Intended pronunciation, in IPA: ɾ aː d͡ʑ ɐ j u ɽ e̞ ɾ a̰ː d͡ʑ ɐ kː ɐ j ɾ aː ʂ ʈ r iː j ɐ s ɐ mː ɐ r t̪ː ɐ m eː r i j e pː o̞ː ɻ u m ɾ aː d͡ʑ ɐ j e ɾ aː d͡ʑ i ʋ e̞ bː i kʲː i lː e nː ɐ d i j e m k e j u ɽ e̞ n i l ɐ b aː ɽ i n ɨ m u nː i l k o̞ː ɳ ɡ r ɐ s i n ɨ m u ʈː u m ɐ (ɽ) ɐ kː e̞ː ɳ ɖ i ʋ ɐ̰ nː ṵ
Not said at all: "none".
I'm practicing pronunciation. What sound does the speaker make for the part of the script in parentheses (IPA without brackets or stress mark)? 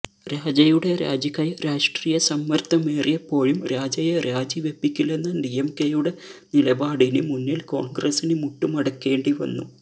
ɽ